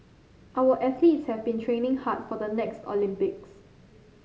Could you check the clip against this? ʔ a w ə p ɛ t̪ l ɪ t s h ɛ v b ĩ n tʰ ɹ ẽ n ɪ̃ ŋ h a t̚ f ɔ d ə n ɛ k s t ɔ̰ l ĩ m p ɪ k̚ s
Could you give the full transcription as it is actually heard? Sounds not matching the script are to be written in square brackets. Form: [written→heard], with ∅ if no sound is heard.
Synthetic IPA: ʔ a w ə [p→ʔ] ɛ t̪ l [ɪ→i] t s h ɛ v b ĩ n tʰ ɹ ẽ n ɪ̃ ŋ h a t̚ f ɔ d ə n ɛ k s t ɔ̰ l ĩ m p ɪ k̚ s